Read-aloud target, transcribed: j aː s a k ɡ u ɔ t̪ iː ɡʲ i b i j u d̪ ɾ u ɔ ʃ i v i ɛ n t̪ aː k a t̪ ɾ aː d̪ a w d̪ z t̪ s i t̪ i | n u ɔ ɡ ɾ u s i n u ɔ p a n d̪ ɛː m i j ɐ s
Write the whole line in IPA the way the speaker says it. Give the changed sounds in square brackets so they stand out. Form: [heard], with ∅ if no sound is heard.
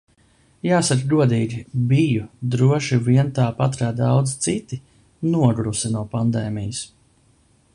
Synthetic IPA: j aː s a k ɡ u ɔ [d̪] iː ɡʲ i b i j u d̪ ɾ u ɔ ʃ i v i ɛ n t̪ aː [p] a t̪ ɾ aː d̪ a w d̪ z t̪ s i t̪ i | n u ɔ ɡ ɾ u s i n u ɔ p a n d̪ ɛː m i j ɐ s